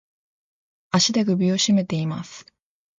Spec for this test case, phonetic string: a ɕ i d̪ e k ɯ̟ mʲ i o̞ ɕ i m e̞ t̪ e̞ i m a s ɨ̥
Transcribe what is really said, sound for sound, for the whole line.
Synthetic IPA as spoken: a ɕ i d̪ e ɡ ɯ̟ bʲ i o̞ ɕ i m e̞ t̪ e̞ i m a s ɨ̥